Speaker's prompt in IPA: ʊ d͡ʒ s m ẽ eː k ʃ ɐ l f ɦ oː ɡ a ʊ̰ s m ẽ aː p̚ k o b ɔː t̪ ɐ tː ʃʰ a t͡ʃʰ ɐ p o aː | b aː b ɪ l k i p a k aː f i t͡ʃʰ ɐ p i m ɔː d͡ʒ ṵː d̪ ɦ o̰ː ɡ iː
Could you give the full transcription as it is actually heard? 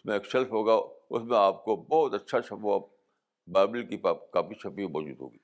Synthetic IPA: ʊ s m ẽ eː k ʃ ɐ l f ɦ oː ɡ a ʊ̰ s m ẽ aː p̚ k o b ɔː t̪ ɐ tː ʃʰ a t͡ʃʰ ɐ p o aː | b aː b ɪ l k i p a k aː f i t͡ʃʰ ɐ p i m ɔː d͡ʒ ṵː d̪ ɦ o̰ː ɡ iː